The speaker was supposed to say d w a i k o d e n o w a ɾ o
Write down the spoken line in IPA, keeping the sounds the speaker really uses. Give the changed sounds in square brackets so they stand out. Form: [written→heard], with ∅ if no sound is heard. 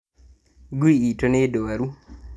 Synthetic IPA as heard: [d→ɡ] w [a→i] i [k→t] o [d→n] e [n→d] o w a ɾ [o→u]